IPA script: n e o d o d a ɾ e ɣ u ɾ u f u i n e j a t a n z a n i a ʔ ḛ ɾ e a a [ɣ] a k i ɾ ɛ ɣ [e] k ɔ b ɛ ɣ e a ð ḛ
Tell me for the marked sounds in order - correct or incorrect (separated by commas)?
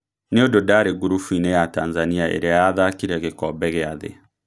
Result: incorrect, correct